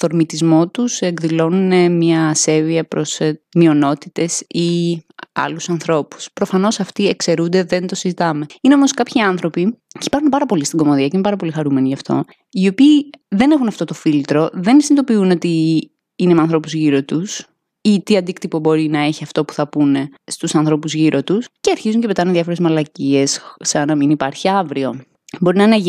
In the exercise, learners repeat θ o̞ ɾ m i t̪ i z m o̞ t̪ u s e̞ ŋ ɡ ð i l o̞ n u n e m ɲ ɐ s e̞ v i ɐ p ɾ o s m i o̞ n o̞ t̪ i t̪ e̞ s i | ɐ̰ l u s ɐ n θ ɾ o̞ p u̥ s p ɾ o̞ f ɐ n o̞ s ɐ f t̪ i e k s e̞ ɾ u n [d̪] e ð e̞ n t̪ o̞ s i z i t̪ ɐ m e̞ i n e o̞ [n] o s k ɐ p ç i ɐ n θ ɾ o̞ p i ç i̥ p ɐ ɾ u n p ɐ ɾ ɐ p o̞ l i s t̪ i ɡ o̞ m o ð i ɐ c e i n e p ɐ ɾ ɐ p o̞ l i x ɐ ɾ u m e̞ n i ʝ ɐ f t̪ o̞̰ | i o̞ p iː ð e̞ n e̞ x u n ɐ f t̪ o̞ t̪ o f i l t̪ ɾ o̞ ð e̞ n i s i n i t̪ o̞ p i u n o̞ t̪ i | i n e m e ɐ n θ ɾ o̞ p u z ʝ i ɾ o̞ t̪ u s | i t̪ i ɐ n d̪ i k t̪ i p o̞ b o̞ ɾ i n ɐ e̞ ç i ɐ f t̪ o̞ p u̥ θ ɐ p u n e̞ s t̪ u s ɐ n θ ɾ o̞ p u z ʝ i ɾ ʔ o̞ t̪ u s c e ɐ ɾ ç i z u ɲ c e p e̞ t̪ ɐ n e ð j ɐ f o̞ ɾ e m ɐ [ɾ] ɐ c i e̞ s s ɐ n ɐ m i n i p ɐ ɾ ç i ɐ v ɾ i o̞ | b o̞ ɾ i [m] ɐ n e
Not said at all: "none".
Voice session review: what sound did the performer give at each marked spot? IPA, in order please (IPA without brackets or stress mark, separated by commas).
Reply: d̪, m, l, n